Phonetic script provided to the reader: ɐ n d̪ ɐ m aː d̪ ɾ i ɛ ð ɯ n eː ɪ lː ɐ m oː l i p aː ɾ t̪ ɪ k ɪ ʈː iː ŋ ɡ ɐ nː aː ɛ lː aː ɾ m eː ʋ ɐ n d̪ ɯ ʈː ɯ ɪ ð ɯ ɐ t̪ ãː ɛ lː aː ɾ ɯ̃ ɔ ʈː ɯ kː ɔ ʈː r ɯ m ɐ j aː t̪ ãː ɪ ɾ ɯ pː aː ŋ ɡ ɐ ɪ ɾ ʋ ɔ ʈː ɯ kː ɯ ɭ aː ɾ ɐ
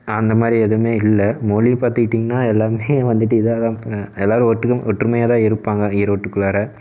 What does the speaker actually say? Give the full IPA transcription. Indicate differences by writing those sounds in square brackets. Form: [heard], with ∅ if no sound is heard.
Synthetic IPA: ɐ n d̪ ɐ m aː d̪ ɾ i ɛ ð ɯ [m] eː ɪ lː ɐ m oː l i p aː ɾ t̪ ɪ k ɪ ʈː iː ŋ ɡ ɐ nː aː ɛ lː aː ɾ m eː ʋ ɐ n d̪ ɯ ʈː ɯ ɪ ð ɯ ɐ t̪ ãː ɛ lː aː ɾ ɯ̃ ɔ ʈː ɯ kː ɔ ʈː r ɯ m ɐ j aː t̪ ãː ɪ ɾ ɯ pː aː ŋ ɡ ɐ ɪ ɾ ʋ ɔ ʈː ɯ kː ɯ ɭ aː ɾ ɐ

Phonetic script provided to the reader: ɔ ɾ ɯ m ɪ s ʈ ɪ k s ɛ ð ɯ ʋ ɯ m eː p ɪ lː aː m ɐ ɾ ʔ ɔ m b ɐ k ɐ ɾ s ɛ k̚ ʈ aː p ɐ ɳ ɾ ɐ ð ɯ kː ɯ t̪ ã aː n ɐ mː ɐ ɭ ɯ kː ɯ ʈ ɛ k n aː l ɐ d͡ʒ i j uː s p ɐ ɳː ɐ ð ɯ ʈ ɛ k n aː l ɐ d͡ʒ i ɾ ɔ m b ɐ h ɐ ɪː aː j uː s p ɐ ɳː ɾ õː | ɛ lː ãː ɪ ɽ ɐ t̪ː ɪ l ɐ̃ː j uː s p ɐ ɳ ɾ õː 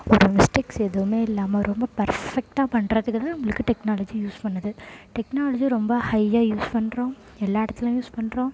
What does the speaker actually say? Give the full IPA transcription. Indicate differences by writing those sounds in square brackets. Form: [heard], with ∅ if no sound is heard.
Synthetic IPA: ɔ ɾ ɯ m ɪ s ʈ ɪ k s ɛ ð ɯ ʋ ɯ m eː [∅] ɪ lː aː m ɐ ɾ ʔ ɔ m b ɐ [p] ɐ ɾ [f] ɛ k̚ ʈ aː p ɐ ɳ ɾ ɐ ð ɯ kː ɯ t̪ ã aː n ɐ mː ɐ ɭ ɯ kː ɯ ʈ ɛ k n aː l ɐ d͡ʒ i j uː s p ɐ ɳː ɐ ð ɯ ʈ ɛ k n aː l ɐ d͡ʒ i ɾ ɔ m b ɐ h ɐ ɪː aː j uː s p ɐ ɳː ɾ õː | ɛ lː [aː] ɪ ɽ ɐ t̪ː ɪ l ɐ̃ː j uː s p ɐ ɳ ɾ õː

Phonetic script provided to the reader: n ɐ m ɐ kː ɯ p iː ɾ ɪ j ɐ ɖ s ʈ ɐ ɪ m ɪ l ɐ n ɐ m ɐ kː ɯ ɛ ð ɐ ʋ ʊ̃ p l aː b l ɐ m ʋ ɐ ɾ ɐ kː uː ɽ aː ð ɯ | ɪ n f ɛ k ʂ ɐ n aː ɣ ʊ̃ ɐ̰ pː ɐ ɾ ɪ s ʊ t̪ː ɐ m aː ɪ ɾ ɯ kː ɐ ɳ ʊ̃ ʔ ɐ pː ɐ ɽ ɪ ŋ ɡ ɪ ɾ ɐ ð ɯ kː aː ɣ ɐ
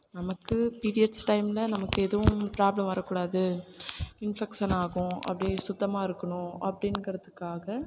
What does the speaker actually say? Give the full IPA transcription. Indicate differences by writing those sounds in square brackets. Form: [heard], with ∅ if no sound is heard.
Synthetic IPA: n ɐ m ɐ kː ɯ p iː ɾ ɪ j ɐ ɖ s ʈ ɐ ɪ m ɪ l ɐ n ɐ m ɐ kː ɯ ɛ ð ɐ ʋ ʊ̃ p [ɾ] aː b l ɐ m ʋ ɐ ɾ ɐ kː uː ɽ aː ð ɯ | ɪ n f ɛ k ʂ ɐ n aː ɣ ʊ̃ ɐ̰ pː ɐ [ɽ] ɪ s ʊ t̪ː ɐ m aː ɪ ɾ ɯ kː ɐ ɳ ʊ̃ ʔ ɐ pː ɐ ɽ ɪ [n] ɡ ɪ ɾ ɐ ð ɯ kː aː ɣ ɐ

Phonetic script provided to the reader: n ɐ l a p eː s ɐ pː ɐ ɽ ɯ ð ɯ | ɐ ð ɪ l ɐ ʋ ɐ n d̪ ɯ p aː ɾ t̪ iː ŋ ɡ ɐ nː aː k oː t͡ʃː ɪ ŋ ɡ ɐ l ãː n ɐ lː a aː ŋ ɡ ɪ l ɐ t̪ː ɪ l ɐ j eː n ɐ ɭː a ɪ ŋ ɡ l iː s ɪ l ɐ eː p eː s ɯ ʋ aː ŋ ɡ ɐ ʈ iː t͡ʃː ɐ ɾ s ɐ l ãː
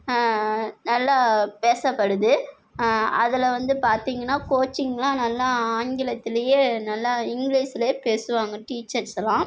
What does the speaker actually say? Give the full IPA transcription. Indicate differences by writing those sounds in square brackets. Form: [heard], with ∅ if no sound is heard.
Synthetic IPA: n ɐ [lː] a p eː s ɐ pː ɐ ɽ ɯ ð ɯ | ɐ ð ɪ l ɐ ʋ ɐ n d̪ ɯ p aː ɾ t̪ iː ŋ ɡ ɐ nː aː k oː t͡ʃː ɪ ŋ ɡ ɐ l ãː n ɐ lː a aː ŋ ɡ ɪ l ɐ t̪ː ɪ l ɐ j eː n ɐ [lː] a ɪ ŋ ɡ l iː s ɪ l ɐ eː p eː s ɯ ʋ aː ŋ ɡ ɐ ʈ iː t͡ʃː ɐ ɾ s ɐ l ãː

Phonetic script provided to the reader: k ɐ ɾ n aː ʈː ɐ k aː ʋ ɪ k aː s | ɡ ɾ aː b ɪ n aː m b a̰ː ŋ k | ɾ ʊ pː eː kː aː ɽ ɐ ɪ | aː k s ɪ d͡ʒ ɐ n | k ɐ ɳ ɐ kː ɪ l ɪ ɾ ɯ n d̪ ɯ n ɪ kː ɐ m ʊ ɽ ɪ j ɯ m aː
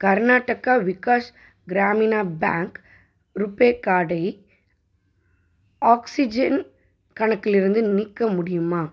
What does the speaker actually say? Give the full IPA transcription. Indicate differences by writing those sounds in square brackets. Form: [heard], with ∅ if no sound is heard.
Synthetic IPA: k ɐ ɾ n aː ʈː ɐ k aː ʋ ɪ k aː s | ɡ ɾ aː [m] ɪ n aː [∅] b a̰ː ŋ k | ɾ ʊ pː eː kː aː ɽ ɐ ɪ | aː k s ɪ d͡ʒ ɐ n | k ɐ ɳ ɐ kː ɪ l ɪ ɾ ɯ n d̪ ɯ n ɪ kː ɐ m ʊ ɽ ɪ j ɯ m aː

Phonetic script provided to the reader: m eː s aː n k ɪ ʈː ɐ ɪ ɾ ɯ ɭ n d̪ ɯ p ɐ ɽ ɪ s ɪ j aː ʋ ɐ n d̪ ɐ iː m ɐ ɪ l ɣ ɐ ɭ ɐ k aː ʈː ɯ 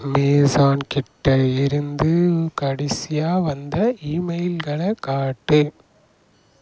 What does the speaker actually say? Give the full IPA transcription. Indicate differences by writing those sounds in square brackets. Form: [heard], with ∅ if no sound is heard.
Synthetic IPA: m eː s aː n k ɪ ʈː ɐ ɪ ɾ ɯ [∅] n d̪ ɯ [k] ɐ ɽ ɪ s ɪ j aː ʋ ɐ n d̪ ɐ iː m ɐ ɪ l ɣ ɐ ɭ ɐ k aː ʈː ɯ

